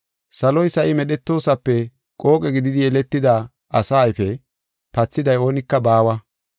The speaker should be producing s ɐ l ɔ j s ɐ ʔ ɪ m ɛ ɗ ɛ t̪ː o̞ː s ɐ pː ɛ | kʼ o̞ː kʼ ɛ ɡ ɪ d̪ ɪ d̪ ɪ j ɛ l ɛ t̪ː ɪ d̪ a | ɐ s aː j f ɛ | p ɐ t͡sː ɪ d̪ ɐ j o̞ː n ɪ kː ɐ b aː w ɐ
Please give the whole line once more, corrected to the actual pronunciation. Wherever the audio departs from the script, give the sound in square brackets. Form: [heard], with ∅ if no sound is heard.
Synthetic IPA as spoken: s ɐ l ɔ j s ɐ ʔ ɪ m ɛ ɗ ɛ t̪ː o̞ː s ɐ pː ɛ | kʼ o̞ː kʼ ɛ ɡ ɪ d̪ ɪ d̪ ɪ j ɛ l ɛ t̪ː ɪ d̪ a | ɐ s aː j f ɛ | p ɐ t͡sː ɪ d̪ ɐ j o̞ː n ɪ kː ɐ b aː w ɐ